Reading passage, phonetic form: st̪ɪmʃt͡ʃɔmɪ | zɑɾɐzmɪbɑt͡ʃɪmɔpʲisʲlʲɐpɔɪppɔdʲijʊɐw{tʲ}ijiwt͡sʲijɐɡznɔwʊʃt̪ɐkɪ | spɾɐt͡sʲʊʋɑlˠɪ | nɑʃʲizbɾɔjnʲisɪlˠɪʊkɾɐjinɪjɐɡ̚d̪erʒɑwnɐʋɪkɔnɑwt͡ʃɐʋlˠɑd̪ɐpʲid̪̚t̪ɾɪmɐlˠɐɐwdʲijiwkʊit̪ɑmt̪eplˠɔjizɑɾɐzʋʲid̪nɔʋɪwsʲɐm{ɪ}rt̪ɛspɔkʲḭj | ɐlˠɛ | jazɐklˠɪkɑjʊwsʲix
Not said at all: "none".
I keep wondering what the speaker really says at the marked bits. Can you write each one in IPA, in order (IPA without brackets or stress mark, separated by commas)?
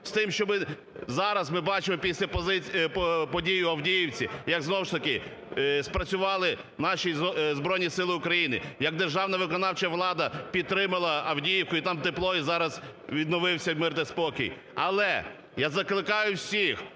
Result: dʲ, ɪ